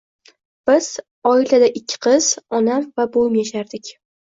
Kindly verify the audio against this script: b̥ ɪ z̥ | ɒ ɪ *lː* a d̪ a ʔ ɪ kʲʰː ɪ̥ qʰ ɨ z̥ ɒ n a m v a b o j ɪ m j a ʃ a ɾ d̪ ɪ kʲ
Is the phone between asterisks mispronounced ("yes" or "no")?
yes